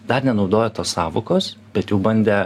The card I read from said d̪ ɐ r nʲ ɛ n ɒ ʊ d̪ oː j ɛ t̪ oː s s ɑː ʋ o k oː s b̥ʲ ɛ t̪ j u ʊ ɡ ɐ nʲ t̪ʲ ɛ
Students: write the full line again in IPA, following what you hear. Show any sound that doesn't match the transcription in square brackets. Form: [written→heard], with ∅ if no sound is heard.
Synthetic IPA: d̪ ɐ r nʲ ɛ n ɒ ʊ d̪ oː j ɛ t̪ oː s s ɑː ʋ o k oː s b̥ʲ ɛ t̪ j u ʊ [ɡ→b] ɐ nʲ [t̪ʲ→d̪ʲ] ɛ